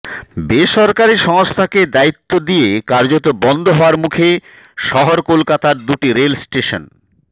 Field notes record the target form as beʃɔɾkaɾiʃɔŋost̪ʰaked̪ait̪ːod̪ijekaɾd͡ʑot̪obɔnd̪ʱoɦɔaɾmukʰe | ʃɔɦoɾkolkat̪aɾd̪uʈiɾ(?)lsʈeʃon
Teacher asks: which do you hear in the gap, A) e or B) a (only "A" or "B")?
A